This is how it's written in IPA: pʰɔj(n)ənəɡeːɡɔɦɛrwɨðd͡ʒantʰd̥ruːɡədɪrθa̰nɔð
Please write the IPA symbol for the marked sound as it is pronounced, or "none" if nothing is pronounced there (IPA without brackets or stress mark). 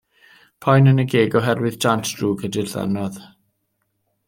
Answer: n